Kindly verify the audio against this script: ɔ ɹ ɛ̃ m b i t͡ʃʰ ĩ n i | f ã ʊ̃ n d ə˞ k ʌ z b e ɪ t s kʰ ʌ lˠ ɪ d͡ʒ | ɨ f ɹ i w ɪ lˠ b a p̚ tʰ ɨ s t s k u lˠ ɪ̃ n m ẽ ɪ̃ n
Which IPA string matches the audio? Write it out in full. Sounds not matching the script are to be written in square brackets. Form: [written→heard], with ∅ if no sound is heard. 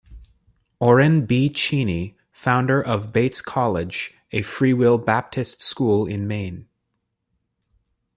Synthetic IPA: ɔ ɹ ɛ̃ [m→n] b i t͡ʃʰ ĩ n i | f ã ʊ̃ n d ə˞ [k→ʔ] ʌ [z→v] b e ɪ t s kʰ [ʌ→ɑ] lˠ ɪ d͡ʒ | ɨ f ɹ i w ɪ lˠ b [a→æ] p̚ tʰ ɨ s t s k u lˠ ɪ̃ n m ẽ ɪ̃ n